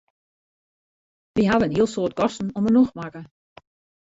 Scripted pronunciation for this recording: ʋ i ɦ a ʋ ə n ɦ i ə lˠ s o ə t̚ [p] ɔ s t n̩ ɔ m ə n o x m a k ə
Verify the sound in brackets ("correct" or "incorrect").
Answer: incorrect